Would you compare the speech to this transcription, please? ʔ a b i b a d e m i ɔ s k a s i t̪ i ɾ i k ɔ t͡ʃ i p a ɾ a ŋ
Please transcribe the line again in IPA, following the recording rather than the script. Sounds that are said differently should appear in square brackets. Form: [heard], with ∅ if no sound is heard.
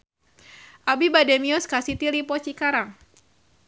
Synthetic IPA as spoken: ʔ a b i b a d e m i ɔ s k a s i t̪ i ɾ i [p] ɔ t͡ʃ i [k] a ɾ a ŋ